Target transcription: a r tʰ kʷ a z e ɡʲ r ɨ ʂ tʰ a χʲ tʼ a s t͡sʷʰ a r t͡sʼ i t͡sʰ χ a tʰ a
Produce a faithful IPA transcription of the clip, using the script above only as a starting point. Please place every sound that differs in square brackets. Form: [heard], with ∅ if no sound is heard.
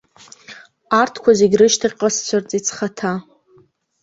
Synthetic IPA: a r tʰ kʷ a z e ɡʲ r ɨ [ʃ] tʰ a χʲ [qʼ] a s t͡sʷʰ a r t͡sʼ i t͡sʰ χ a tʰ a